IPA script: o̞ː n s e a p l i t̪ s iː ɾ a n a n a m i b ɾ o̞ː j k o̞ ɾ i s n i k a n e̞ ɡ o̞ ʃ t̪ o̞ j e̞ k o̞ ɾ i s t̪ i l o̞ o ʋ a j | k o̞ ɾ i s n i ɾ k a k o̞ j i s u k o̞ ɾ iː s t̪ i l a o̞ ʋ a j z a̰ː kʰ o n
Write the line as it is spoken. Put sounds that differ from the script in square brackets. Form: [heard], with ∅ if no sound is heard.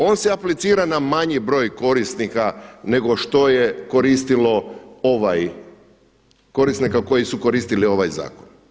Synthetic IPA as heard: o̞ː n s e a p l i t̪ s iː ɾ a n a [m] a [ɲ] i b ɾ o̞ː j k o̞ ɾ i s n i k a n e̞ ɡ o̞ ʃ t̪ o̞ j e̞ k o̞ ɾ i s t̪ i l o̞ o ʋ a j | k o̞ ɾ i s n i [∅] k a k o̞ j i s u k o̞ ɾ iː s t̪ i l [i] o̞ ʋ a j z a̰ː [k] o n